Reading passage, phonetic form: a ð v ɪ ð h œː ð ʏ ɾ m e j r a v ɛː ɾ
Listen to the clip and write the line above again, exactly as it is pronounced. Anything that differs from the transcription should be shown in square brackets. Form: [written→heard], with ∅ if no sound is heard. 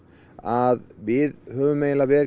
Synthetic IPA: a ð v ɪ ð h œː [ð→v] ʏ [ɾ→∅] m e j [r→l] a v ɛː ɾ